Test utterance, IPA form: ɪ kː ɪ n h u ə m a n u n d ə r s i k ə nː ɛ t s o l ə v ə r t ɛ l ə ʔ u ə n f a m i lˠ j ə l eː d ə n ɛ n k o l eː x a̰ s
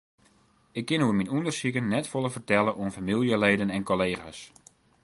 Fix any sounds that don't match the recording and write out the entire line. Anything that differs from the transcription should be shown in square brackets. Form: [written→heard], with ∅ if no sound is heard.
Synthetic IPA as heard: ɪ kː ɪ n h u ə m [a→i] n u n d ə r s i k ə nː ɛ t [s→f] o l ə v ə r t ɛ l ə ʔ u ə n f a m i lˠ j ə l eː d ə n ɛ n k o l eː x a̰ s